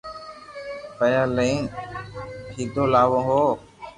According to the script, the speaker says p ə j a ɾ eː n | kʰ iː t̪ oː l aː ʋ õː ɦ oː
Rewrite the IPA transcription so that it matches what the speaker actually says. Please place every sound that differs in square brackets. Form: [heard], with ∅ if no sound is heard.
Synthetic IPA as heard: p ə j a [l] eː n | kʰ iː [d̪] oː l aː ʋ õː ɦ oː